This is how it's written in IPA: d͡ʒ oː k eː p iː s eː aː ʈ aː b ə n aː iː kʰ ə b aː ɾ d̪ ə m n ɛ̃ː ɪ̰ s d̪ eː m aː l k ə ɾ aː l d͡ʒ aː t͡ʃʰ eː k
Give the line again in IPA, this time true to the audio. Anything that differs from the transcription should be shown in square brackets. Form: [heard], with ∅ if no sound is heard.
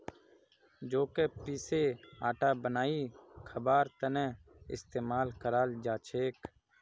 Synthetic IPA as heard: d͡ʒ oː k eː p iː s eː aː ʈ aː b ə n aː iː kʰ ə b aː ɾ [t̪] ə [∅] n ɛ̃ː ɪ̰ s [t̪] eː m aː l k ə ɾ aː l d͡ʒ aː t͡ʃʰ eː k